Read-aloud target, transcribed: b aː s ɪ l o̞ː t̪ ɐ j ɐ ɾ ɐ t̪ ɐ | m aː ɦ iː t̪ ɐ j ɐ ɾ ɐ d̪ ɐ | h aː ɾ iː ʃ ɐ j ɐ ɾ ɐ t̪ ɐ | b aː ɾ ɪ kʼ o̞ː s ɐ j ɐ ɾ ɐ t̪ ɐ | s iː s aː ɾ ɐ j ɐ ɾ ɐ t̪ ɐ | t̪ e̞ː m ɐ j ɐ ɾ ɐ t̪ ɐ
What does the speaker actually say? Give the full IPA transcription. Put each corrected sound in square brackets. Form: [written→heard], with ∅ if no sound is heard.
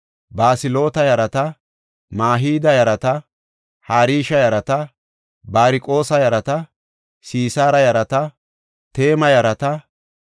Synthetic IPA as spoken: b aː s ɪ l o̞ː t̪ ɐ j ɐ ɾ ɐ t̪ ɐ | m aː ɦ iː [t̪→d̪] ɐ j ɐ ɾ ɐ [d̪→t̪] ɐ | h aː ɾ iː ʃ ɐ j ɐ ɾ ɐ t̪ ɐ | b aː ɾ ɪ kʼ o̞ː s ɐ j ɐ ɾ ɐ t̪ ɐ | s iː s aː ɾ ɐ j ɐ ɾ ɐ t̪ ɐ | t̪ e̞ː m ɐ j ɐ ɾ ɐ t̪ ɐ

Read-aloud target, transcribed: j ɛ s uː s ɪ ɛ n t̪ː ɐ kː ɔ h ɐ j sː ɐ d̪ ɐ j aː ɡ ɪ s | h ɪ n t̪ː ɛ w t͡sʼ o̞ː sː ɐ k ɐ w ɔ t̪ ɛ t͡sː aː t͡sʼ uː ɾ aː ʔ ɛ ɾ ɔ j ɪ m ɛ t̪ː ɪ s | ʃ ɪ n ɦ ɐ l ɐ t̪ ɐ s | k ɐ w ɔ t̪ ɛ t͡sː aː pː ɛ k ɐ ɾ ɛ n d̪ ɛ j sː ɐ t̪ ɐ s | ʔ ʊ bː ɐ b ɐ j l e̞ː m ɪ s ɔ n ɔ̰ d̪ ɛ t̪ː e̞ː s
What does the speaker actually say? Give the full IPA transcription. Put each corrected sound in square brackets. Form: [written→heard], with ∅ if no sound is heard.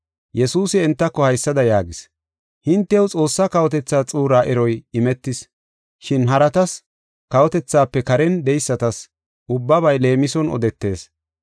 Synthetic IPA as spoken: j ɛ s uː s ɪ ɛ n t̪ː ɐ kː ɔ h ɐ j sː ɐ d̪ ɐ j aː ɡ ɪ s | h ɪ n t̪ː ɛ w t͡sʼ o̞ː sː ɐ k ɐ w ɔ t̪ ɛ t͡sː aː t͡sʼ uː ɾ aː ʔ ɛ ɾ ɔ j ɪ m ɛ t̪ː ɪ s | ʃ ɪ n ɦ ɐ [l→ɾ] ɐ t̪ ɐ s | k ɐ w ɔ t̪ ɛ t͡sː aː pː ɛ k ɐ ɾ ɛ n d̪ ɛ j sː ɐ t̪ ɐ s | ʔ ʊ bː ɐ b ɐ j l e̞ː m ɪ s ɔ n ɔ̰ d̪ ɛ t̪ː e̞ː s

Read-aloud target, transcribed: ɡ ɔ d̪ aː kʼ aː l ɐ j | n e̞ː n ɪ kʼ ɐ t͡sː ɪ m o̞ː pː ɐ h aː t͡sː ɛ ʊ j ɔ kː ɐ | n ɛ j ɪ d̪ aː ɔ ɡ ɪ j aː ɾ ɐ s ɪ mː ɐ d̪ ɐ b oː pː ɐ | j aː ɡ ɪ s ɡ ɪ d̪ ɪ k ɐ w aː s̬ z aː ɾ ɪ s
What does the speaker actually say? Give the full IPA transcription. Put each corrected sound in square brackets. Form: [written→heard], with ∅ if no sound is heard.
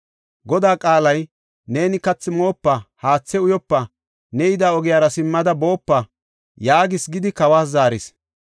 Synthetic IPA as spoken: ɡ ɔ d̪ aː kʼ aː l ɐ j | n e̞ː n ɪ [kʼ→k] ɐ t͡sː ɪ m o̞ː pː ɐ h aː t͡sː ɛ ʊ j ɔ [kː→pː] ɐ | n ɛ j ɪ d̪ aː ɔ ɡ ɪ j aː ɾ ɐ s ɪ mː ɐ d̪ ɐ b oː pː ɐ | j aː ɡ ɪ s ɡ ɪ d̪ ɪ k ɐ w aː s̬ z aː ɾ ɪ s

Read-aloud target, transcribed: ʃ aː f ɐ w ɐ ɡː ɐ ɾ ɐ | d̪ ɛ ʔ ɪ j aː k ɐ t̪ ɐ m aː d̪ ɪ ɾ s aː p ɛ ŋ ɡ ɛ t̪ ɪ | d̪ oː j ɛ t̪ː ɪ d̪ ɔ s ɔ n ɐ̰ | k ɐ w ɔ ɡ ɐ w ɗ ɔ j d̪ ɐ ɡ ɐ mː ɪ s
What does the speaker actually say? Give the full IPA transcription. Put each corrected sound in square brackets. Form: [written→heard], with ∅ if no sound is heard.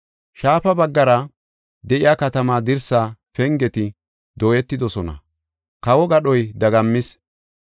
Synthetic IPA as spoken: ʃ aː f ɐ [w→b] ɐ ɡː ɐ ɾ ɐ | d̪ ɛ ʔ ɪ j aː k ɐ t̪ ɐ m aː d̪ ɪ ɾ s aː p ɛ ŋ ɡ ɛ t̪ ɪ | d̪ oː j ɛ t̪ː ɪ d̪ ɔ s ɔ n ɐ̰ | k ɐ w ɔ ɡ ɐ [w→∅] ɗ ɔ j d̪ ɐ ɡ ɐ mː ɪ s

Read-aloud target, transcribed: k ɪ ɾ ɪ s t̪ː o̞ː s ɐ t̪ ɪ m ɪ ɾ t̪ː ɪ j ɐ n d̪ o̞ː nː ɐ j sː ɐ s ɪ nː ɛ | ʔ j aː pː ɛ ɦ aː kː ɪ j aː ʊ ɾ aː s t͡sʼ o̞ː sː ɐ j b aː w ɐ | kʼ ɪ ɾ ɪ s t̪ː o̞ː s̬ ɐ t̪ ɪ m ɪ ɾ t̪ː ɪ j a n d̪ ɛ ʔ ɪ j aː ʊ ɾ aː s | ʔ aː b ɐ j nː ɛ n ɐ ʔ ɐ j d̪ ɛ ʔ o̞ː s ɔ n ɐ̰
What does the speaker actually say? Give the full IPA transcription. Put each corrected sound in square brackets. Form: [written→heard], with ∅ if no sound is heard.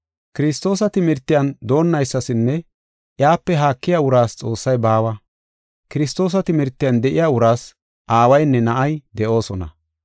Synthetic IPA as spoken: k ɪ ɾ ɪ s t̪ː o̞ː s ɐ t̪ ɪ m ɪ ɾ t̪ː ɪ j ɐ n d̪ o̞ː nː ɐ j sː ɐ s ɪ nː ɛ | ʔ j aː pː ɛ ɦ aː kː ɪ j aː ʊ ɾ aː s t͡sʼ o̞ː sː ɐ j b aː w ɐ | [kʼ→k] ɪ ɾ ɪ s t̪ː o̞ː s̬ ɐ t̪ ɪ m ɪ ɾ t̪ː ɪ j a n d̪ ɛ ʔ ɪ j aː ʊ ɾ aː s | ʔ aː [b→w] ɐ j nː ɛ n ɐ ʔ ɐ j d̪ ɛ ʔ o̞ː s ɔ n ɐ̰

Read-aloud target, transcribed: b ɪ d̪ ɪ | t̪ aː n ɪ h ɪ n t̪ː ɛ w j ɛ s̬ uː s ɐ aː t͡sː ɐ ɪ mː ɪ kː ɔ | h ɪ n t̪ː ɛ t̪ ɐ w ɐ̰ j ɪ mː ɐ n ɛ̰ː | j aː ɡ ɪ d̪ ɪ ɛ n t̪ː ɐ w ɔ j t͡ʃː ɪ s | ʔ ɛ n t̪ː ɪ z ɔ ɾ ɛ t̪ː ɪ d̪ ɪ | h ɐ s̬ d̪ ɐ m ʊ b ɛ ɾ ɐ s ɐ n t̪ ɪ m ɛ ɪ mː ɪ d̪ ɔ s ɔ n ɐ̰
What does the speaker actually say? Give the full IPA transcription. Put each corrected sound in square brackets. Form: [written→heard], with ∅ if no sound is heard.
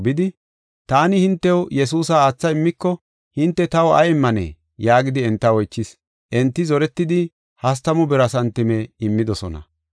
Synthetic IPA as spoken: b ɪ d̪ ɪ | t̪ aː n ɪ h ɪ n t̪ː ɛ w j ɛ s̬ uː s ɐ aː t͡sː ɐ ɪ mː ɪ kː ɔ | h ɪ n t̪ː ɛ t̪ ɐ w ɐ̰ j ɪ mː ɐ n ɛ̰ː | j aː ɡ ɪ d̪ ɪ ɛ n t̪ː ɐ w ɔ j t͡ʃː ɪ s | ʔ ɛ n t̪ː ɪ z ɔ ɾ ɛ t̪ː ɪ d̪ ɪ | h ɐ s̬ [d̪→t̪] ɐ m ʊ b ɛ ɾ ɐ s ɐ n t̪ ɪ m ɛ ɪ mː ɪ d̪ ɔ s ɔ n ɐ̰

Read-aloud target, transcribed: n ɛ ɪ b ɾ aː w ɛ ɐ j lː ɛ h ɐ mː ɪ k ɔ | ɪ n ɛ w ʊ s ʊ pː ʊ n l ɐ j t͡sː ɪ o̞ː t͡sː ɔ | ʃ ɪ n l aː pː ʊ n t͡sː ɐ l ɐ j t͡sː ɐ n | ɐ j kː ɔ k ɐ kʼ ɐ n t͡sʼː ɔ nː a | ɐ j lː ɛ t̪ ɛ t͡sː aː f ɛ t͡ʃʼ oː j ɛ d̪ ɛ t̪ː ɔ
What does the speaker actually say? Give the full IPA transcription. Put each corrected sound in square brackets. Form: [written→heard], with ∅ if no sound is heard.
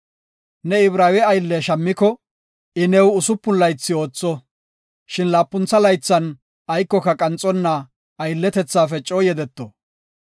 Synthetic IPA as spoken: n ɛ ɪ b ɾ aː w ɛ ɐ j lː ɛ [h→ʃ] ɐ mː ɪ k ɔ | ɪ n ɛ w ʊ s ʊ pː ʊ n l ɐ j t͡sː ɪ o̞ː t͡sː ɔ | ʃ ɪ n l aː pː ʊ n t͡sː ɐ l ɐ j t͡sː ɐ n | ɐ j kː ɔ k ɐ kʼ ɐ n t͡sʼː ɔ nː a | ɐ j lː ɛ t̪ ɛ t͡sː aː f ɛ t͡ʃʼ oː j ɛ d̪ ɛ t̪ː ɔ

